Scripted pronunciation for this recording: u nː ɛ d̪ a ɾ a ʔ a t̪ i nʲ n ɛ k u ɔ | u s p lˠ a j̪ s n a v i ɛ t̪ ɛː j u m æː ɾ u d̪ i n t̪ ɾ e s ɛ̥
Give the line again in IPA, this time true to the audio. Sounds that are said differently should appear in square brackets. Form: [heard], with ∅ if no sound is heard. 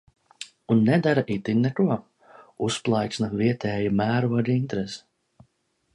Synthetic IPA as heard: u nː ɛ d̪ a ɾ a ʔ [i] t̪ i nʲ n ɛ k u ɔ | u s p lˠ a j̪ s n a v i ɛ t̪ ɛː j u m æː ɾ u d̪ i n t̪ ɾ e s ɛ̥